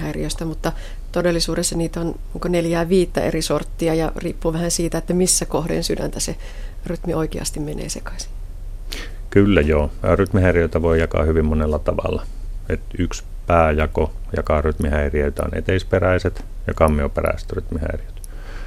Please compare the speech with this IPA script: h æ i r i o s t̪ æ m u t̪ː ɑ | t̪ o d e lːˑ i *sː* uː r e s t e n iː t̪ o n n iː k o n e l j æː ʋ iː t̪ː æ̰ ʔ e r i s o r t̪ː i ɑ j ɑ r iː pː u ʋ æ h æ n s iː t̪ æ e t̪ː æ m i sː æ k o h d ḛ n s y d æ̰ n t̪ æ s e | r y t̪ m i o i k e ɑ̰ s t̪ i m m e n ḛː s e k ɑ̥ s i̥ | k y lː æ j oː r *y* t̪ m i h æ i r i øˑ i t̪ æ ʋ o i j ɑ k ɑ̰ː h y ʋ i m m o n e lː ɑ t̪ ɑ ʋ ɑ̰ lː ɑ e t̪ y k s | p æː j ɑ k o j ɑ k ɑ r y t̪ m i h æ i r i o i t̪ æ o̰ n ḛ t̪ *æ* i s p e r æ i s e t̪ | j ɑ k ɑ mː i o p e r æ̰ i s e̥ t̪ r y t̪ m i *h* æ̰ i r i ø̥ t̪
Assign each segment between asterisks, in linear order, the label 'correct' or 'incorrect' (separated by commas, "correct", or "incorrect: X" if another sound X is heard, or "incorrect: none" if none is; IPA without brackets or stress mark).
incorrect: s, correct, incorrect: e, correct